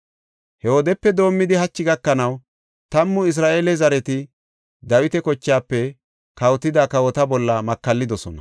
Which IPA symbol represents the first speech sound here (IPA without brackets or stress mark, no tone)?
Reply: h